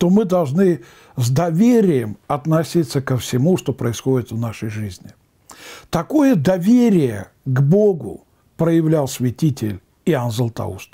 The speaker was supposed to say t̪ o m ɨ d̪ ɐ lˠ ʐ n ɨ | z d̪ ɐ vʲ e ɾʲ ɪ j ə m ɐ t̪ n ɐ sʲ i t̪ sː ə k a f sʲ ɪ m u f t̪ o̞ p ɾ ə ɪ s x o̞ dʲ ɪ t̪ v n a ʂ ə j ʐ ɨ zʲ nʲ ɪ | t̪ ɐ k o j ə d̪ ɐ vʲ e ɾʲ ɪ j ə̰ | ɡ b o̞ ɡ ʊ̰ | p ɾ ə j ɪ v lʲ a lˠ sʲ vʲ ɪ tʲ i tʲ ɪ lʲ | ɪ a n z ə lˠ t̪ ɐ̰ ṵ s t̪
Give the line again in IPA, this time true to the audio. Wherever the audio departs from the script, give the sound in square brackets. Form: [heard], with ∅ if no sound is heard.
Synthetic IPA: t̪ o m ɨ d̪ ɐ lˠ ʐ n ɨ | z d̪ ɐ vʲ e ɾʲ ɪ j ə m ɐ t̪ n ɐ sʲ i t̪ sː ə k [ə] f sʲ ɪ m u [ʂ] t̪ o̞ p ɾ ə ɪ s x o̞ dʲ ɪ t̪ v n a ʂ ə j ʐ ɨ zʲ nʲ ɪ | t̪ ɐ k o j ə d̪ ɐ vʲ e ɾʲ ɪ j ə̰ | ɡ b o̞ ɡ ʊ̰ | p ɾ ə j ɪ v lʲ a lˠ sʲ vʲ ɪ tʲ i tʲ ɪ lʲ | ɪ a n z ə lˠ t̪ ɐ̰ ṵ s t̪

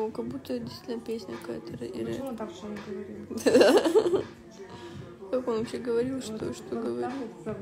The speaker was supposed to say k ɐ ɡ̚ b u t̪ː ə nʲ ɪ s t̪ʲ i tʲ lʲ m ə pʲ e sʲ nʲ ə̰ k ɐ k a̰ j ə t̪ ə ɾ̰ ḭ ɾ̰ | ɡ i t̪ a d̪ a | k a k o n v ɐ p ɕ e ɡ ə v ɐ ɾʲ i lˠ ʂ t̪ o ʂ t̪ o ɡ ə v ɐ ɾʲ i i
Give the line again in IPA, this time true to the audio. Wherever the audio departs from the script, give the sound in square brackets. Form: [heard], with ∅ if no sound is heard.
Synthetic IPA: k ɐ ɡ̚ b u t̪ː ə [dʲ] ɪ s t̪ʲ i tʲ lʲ [n] ə pʲ e sʲ nʲ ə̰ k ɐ k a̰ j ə t̪ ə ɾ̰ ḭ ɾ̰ | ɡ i [d̪] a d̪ a | k a k o n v ɐ p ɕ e ɡ ə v ɐ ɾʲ i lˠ ʂ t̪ o ʂ t̪ o ɡ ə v ɐ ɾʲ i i

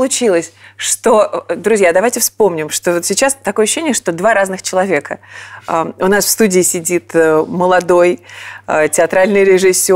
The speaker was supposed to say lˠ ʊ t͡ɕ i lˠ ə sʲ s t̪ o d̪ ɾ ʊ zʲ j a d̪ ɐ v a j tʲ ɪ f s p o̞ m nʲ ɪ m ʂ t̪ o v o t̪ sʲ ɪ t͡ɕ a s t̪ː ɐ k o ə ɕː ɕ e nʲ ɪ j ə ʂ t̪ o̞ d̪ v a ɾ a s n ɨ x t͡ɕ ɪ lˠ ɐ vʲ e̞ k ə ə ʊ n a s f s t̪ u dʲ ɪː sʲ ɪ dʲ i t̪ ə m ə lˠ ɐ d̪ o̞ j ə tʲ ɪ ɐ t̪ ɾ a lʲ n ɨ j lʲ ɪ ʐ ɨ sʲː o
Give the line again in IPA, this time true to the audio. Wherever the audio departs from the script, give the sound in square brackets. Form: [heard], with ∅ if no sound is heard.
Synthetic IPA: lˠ ʊ t͡ɕ i lˠ ə sʲ [ʂ] t̪ o d̪ ɾ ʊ zʲ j a d̪ ɐ v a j tʲ ɪ f s p o̞ m nʲ ɪ m ʂ t̪ o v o t̪ sʲ ɪ t͡ɕ a s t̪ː ɐ k o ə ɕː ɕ e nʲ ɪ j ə ʂ t̪ o̞ d̪ v a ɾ a [z] n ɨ x t͡ɕ ɪ lˠ ɐ vʲ e̞ k ə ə ʊ n a s f s t̪ u dʲ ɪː sʲ ɪ dʲ i t̪ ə m ə lˠ ɐ d̪ o̞ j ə tʲ ɪ ɐ t̪ ɾ a lʲ n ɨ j [ɾʲ] ɪ ʐ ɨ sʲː o

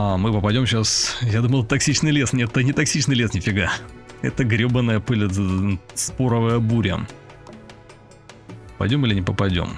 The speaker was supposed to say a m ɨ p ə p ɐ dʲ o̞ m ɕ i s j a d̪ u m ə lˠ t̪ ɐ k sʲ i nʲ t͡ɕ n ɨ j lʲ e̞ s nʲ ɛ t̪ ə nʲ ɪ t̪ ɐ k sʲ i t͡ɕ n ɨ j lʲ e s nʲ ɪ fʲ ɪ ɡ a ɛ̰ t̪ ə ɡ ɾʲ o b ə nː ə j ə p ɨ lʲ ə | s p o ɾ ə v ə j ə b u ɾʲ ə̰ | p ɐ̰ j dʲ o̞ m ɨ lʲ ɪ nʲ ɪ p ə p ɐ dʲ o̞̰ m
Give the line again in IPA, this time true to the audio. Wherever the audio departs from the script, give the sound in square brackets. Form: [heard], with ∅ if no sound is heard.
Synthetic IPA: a m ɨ p ə p ɐ dʲ o̞ m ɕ [a] s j a d̪ u m ə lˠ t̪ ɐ k sʲ i [∅] t͡ɕ n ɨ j lʲ e̞ s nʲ ɛ t̪ ə nʲ ɪ t̪ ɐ k sʲ i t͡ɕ n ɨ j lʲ e s nʲ ɪ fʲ ɪ ɡ a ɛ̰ t̪ ə ɡ ɾʲ o b ə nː ə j ə p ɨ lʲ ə | s p o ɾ ə v ə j ə b u ɾʲ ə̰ | p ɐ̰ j dʲ o̞ m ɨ lʲ ɪ nʲ ɪ p ə p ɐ dʲ o̞̰ m

